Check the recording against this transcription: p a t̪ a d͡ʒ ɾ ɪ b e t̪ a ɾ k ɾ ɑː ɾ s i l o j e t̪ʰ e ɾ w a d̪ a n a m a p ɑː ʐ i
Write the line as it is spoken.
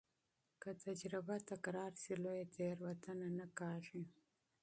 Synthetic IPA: k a t̪ a d͡ʒ ɾ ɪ b a t̪ a k ɾ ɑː ɾ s i l o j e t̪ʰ e ɾ w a t̪ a n a n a k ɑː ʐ i